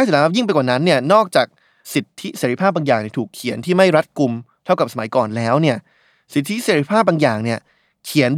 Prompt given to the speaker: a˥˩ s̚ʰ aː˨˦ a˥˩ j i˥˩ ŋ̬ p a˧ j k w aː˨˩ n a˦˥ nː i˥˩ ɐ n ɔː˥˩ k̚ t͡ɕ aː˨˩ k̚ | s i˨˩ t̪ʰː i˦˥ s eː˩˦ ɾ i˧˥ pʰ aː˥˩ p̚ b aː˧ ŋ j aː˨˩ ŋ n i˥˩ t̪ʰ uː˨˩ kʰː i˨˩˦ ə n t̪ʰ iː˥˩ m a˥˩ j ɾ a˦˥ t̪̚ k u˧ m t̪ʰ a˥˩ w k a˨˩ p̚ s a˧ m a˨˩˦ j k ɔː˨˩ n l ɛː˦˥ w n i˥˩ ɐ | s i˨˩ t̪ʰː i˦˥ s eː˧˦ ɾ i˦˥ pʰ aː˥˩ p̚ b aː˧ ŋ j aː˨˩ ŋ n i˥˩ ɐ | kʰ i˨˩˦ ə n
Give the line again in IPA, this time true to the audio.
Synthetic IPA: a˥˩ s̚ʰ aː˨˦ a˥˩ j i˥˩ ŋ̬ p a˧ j k w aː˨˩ n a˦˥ nː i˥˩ ɐ n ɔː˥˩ k̚ t͡ɕ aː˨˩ k̚ | s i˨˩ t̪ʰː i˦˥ s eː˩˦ ɾ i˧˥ pʰ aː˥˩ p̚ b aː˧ ŋ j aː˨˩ ŋ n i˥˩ t̪ʰ uː˨˩ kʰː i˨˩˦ ə n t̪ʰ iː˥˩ m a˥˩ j ɾ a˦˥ t̪̚ k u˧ m t̪ʰ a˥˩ w k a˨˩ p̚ s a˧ m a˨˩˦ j k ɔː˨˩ n l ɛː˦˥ w n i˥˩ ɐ | s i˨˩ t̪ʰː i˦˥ s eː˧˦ ɾ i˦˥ pʰ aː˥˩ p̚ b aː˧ ŋ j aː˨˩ ŋ n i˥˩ ɐ | kʰ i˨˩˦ ə n